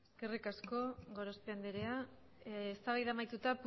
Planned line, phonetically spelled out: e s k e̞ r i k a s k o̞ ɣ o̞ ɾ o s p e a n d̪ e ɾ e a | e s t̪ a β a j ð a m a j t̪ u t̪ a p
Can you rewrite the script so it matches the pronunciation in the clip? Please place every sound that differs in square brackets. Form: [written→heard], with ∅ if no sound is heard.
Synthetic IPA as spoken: e s k e̞ r i k a s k o̞ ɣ o̞ ɾ o s p e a n d̪ e ɾ e a | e s t̪ a β a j ð a m a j t̪ u t̪ a p